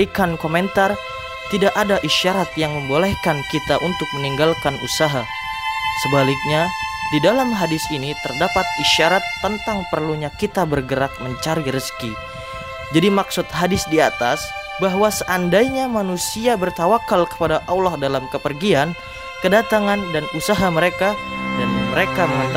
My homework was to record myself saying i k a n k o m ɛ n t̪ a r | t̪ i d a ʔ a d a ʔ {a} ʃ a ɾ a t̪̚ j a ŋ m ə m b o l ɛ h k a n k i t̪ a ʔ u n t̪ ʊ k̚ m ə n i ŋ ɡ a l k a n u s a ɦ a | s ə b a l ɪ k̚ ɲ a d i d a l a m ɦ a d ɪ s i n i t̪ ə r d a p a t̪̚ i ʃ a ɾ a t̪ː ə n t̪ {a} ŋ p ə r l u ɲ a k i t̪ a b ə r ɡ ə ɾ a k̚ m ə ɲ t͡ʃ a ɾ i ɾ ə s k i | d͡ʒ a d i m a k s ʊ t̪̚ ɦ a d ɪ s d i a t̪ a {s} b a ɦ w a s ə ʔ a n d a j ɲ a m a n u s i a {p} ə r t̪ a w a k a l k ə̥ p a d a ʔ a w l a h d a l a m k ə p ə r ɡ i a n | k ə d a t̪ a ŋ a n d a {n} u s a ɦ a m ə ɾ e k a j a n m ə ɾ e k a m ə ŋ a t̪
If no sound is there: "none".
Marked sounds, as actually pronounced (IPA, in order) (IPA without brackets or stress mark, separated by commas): i, a, s, b, n